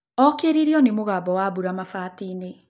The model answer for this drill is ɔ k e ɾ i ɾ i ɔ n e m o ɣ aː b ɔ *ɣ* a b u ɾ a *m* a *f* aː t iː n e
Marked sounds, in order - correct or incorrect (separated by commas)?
incorrect, correct, correct